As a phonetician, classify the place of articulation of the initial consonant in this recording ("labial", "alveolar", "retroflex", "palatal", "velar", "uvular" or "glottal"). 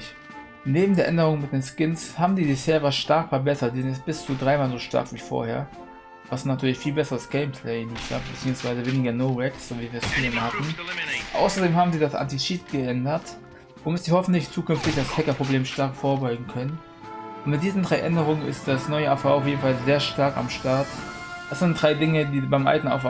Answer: alveolar